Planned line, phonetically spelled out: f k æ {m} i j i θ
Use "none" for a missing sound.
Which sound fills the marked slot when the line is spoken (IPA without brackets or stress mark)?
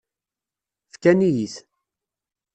n